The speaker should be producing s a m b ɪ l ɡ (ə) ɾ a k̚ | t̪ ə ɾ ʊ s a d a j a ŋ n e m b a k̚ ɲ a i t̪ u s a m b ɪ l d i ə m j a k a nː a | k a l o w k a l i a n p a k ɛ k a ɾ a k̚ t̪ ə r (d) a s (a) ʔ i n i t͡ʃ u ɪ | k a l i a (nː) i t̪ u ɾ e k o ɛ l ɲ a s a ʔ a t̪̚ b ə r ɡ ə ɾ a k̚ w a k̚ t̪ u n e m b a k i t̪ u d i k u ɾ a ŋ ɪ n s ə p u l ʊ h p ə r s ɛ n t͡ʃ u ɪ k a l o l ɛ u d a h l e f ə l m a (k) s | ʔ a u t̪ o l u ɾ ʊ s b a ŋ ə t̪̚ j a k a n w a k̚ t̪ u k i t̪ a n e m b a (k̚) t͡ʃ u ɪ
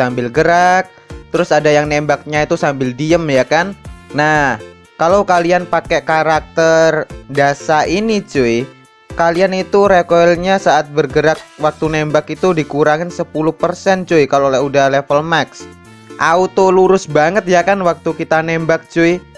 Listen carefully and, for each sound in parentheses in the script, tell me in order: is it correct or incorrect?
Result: correct, correct, correct, incorrect, correct, correct

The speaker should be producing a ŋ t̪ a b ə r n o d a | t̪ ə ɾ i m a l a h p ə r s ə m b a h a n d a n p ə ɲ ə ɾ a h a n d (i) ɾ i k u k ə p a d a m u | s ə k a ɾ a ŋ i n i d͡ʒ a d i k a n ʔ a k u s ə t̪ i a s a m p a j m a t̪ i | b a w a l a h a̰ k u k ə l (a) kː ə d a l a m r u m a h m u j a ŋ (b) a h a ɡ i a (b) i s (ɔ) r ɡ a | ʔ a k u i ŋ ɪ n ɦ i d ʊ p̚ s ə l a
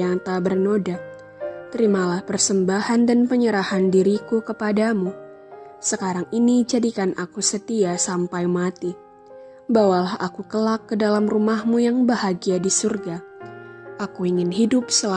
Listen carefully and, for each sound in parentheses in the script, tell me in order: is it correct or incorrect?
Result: correct, correct, correct, incorrect, incorrect

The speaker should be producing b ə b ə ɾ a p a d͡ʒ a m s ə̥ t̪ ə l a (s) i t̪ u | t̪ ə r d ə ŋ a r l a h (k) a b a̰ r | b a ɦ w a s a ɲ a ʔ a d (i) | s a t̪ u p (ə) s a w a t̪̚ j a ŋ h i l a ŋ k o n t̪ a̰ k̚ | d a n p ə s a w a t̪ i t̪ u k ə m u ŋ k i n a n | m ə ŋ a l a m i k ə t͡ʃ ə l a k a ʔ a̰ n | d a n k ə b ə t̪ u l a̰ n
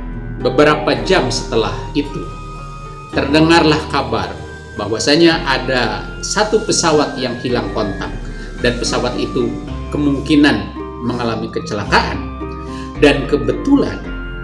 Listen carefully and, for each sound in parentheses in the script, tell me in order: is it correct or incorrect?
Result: incorrect, correct, incorrect, correct

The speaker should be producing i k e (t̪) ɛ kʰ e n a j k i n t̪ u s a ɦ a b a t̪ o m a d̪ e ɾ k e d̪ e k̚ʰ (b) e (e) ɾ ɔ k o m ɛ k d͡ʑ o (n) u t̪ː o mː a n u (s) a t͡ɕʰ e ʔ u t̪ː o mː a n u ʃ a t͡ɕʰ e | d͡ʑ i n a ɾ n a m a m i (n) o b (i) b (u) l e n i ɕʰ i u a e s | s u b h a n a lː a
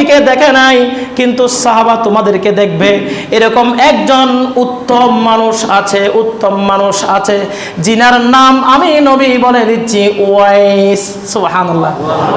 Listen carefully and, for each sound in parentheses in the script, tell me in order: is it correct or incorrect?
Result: incorrect, correct, correct, correct, incorrect, correct, correct, incorrect

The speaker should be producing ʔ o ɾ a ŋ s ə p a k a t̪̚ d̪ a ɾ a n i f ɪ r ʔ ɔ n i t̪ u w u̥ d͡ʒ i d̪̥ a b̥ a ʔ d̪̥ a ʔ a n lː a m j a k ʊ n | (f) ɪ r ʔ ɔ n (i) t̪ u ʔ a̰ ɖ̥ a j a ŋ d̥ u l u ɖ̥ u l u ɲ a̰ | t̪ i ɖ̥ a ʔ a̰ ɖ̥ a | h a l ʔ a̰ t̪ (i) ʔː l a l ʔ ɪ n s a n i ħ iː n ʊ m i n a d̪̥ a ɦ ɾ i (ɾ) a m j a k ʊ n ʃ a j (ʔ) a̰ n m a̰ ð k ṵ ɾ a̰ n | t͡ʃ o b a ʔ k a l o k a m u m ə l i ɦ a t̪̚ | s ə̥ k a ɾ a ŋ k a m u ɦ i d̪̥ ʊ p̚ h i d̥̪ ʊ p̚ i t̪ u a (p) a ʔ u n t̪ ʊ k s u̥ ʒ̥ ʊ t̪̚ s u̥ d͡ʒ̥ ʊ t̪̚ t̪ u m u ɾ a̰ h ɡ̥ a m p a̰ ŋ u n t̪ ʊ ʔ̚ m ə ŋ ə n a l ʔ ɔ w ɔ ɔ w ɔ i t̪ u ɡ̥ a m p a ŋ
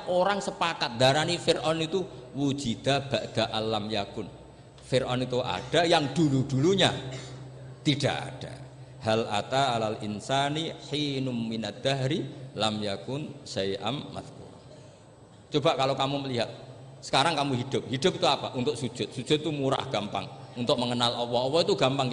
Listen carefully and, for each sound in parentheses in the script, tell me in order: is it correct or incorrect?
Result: correct, correct, incorrect, incorrect, correct, correct

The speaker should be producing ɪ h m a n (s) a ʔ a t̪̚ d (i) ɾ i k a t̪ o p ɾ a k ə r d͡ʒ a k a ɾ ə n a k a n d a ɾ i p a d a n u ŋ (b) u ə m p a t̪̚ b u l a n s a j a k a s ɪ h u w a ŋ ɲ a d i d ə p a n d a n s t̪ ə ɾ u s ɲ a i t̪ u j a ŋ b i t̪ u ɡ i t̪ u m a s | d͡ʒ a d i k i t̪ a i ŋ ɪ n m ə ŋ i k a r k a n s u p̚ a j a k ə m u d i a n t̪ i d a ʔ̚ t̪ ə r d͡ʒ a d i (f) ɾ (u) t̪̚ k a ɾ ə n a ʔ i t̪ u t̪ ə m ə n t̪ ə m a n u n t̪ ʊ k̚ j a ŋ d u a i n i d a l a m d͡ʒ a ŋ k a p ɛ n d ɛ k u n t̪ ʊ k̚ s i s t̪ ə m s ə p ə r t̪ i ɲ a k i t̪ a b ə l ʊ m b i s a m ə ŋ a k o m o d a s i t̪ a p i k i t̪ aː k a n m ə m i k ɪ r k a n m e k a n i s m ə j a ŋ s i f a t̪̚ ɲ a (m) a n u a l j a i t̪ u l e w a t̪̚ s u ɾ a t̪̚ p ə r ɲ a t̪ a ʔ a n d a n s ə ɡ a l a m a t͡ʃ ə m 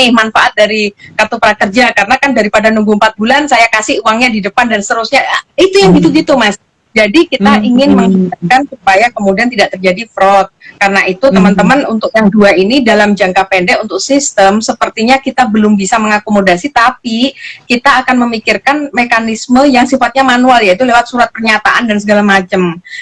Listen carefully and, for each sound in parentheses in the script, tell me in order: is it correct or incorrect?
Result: incorrect, incorrect, incorrect, correct, incorrect, correct

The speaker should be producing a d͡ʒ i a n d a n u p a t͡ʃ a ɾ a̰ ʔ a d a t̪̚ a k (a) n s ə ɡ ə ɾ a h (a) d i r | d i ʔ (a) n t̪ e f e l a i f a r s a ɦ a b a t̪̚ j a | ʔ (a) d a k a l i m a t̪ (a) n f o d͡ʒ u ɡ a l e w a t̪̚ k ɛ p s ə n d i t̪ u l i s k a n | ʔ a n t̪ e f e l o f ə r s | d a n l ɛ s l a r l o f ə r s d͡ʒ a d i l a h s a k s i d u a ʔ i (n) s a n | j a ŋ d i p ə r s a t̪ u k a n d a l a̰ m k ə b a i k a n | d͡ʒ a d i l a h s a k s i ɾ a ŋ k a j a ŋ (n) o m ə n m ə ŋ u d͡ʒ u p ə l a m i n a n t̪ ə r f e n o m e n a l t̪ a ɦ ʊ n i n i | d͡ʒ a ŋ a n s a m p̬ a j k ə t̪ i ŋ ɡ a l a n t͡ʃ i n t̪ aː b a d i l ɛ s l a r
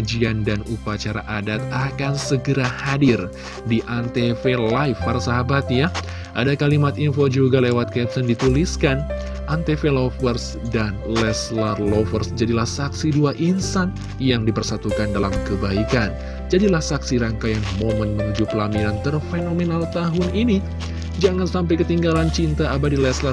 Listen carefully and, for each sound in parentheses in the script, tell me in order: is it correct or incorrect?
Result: correct, correct, correct, correct, incorrect, correct, incorrect

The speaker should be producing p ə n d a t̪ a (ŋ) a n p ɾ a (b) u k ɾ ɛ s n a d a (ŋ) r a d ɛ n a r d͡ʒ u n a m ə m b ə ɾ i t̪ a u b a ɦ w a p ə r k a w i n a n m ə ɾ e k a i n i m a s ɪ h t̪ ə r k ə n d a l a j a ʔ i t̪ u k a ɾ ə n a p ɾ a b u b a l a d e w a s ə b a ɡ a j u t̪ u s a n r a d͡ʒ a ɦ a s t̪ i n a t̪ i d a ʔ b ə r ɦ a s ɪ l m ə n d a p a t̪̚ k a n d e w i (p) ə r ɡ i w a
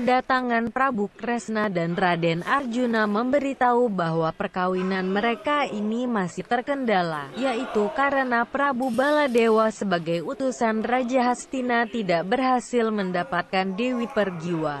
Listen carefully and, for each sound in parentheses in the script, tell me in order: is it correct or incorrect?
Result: correct, correct, incorrect, correct

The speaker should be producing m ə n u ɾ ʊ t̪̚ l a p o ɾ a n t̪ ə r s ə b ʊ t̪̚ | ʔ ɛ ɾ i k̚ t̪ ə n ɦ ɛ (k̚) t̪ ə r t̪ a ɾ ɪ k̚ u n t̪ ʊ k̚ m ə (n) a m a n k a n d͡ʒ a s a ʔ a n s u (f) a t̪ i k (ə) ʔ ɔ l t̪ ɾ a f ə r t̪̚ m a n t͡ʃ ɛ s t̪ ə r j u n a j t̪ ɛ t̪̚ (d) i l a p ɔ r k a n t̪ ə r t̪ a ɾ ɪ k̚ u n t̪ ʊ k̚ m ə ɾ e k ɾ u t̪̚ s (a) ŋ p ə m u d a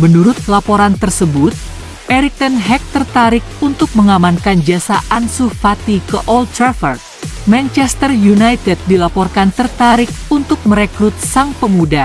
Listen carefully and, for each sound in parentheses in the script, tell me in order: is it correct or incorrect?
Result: correct, incorrect, correct, correct, correct, correct

